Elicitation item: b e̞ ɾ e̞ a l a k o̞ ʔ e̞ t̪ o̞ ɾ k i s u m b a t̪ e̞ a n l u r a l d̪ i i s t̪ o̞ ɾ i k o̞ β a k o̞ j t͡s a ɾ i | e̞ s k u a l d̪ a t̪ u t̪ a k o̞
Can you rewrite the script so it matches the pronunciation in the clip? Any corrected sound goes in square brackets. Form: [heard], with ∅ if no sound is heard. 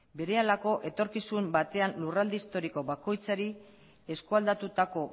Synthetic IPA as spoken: b e̞ ɾ e̞ a l a k o̞ ʔ e̞ t̪ o̞ ɾ k i s u m b a t̪ e̞ a n l u r a l d̪ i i s t̪ o̞ ɾ i k o̞ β a k o̞ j t͡s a ɾ i | e̞ s k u a l d̪ a t̪ u t̪ a k o̞